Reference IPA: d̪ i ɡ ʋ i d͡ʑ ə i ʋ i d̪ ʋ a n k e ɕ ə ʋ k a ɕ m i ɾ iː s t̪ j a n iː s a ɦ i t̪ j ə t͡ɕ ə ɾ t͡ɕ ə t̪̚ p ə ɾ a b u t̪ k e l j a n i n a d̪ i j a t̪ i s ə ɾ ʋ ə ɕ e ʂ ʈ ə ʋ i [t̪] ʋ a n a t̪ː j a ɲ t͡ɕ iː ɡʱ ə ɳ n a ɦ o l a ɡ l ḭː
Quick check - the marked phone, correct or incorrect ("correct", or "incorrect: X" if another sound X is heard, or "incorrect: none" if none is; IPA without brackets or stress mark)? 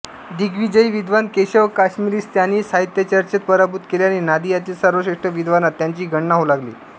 incorrect: d̪